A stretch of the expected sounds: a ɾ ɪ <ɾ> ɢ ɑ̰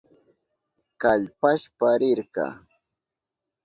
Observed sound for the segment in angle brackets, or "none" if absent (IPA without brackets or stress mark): ɾ